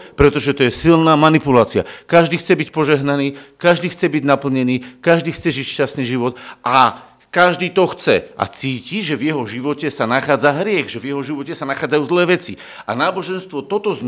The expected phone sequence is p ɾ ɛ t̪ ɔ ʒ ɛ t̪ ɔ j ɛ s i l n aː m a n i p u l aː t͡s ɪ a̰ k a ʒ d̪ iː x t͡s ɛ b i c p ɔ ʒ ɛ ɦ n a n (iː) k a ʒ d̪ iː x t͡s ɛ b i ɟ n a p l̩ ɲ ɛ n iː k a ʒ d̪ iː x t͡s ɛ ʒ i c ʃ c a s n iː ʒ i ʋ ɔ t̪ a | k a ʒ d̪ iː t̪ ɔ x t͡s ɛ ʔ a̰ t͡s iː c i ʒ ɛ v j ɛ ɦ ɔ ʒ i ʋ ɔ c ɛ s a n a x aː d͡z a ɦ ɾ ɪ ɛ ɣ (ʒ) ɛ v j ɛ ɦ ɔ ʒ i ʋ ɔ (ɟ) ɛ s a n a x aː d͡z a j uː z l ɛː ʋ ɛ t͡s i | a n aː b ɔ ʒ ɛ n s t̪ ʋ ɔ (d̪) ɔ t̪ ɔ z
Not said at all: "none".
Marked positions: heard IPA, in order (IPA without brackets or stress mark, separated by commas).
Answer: iː, ʒ, c, t̪